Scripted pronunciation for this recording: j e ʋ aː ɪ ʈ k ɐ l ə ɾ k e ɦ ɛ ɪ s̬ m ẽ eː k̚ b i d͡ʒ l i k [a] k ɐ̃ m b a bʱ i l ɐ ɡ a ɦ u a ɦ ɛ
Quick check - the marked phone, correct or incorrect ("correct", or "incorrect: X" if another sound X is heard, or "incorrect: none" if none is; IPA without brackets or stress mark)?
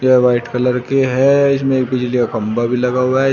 correct